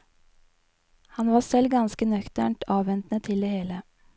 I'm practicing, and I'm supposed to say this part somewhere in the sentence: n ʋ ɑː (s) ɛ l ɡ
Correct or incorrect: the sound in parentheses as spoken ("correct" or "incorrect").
correct